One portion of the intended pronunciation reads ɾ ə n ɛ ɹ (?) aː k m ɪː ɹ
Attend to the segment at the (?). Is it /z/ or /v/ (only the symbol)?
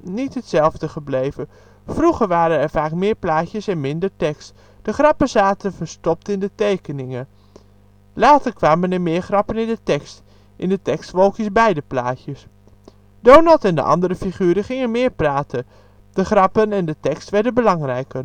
v